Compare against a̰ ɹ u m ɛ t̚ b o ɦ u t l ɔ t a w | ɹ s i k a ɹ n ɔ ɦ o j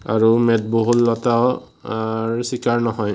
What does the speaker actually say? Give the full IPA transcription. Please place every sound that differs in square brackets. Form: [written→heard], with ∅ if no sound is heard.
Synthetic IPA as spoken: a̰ ɹ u m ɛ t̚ b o ɦ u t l ɔ t a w | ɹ s i k a ɹ n ɔ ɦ [o→ɔ] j